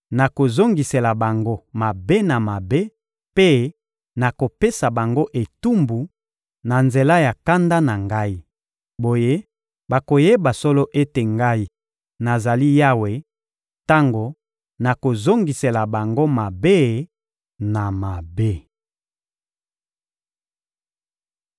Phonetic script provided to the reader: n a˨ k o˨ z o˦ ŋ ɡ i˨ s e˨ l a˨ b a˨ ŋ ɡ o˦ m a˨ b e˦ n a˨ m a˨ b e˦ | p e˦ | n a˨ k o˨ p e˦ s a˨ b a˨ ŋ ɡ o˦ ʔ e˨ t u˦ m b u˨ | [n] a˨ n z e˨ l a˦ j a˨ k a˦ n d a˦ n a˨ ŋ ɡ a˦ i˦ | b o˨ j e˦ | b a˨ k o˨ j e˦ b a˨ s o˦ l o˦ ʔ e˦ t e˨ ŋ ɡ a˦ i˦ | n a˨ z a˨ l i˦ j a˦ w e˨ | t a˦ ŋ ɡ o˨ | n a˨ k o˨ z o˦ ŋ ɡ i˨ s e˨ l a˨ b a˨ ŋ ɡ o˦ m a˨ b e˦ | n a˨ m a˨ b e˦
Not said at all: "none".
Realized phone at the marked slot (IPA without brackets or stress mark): n